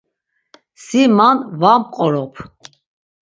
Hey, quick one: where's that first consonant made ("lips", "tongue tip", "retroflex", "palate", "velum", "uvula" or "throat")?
tongue tip